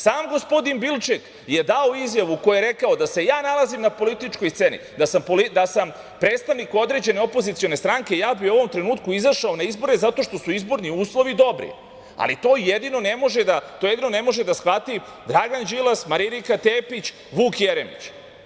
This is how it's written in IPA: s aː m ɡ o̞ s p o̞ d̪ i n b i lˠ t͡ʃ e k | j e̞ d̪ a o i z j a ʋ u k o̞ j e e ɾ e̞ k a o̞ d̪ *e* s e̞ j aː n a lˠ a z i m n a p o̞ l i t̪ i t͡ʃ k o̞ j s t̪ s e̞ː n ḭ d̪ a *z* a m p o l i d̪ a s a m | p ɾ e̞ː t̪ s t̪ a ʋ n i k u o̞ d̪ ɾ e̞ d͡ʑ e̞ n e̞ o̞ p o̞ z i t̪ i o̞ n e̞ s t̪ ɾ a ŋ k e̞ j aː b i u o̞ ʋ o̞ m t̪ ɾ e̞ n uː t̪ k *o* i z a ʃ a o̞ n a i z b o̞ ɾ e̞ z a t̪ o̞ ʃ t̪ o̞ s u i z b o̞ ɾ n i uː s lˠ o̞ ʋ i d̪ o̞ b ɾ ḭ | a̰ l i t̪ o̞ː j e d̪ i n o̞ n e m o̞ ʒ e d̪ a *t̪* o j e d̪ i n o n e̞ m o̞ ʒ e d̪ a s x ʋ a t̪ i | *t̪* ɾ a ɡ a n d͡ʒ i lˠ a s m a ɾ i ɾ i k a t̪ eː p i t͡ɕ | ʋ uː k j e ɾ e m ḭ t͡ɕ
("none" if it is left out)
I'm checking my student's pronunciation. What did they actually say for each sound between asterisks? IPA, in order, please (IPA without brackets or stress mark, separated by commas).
a, s, u, t̪, d̪